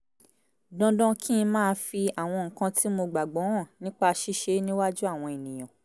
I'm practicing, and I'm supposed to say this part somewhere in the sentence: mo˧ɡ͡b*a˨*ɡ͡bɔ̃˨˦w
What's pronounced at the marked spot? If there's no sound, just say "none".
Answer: a˨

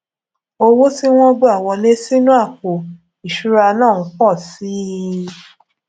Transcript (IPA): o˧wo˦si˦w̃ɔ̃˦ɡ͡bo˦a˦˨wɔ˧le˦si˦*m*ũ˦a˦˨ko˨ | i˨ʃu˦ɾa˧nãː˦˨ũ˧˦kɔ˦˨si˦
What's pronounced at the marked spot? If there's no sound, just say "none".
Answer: n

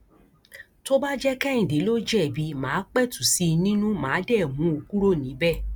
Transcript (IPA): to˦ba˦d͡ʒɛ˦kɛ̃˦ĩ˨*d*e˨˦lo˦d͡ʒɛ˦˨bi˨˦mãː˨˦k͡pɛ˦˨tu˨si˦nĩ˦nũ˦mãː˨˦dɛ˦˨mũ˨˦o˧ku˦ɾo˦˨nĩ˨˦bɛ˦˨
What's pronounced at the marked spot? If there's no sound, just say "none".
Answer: d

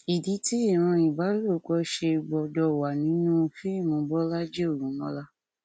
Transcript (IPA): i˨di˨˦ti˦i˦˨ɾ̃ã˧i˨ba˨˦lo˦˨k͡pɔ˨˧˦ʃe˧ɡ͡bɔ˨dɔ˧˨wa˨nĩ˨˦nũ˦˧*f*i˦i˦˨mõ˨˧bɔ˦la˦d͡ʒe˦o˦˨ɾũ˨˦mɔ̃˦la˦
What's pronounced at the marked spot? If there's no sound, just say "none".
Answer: f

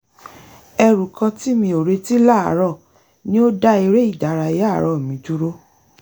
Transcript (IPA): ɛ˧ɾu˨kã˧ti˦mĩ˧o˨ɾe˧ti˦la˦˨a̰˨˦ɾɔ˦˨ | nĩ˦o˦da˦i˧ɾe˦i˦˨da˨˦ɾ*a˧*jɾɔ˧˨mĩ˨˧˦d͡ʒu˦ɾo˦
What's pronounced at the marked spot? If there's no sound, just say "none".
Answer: a˧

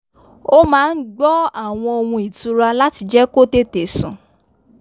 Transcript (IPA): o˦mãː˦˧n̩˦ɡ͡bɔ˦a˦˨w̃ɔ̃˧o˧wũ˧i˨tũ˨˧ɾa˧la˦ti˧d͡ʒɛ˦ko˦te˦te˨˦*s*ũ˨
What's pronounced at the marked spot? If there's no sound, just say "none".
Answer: s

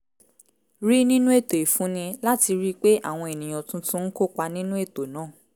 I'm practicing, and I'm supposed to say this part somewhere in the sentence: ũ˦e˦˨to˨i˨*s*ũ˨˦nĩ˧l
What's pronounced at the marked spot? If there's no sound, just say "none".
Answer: f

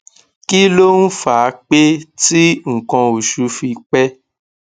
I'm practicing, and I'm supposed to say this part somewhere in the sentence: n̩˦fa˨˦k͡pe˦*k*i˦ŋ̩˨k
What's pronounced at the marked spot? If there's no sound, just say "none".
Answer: t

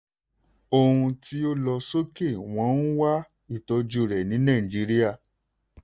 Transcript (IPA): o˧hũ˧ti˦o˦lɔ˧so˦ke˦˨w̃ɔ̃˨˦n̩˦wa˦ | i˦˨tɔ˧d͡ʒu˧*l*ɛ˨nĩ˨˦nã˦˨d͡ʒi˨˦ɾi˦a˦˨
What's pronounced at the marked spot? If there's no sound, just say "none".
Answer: ɾ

